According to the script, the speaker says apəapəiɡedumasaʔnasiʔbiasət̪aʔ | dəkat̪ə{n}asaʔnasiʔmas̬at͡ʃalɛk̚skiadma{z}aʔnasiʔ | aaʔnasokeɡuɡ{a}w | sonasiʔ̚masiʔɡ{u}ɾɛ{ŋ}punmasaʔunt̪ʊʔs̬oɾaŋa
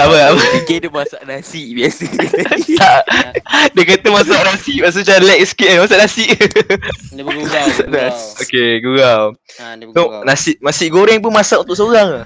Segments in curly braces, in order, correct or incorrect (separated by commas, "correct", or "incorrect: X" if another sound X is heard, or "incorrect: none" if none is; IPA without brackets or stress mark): incorrect: m, incorrect: s, correct, incorrect: o, correct